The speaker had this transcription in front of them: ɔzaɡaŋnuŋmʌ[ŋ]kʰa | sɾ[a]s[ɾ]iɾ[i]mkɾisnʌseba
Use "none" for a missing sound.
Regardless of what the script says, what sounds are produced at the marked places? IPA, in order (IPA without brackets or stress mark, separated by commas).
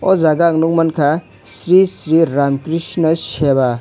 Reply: n, i, ɾ, a